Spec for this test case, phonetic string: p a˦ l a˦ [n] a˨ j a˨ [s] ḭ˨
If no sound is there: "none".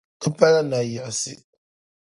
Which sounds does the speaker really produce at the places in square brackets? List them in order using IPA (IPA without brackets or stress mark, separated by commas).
n, s